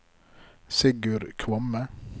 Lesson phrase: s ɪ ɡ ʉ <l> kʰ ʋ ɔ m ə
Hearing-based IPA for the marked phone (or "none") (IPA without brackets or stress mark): ɾ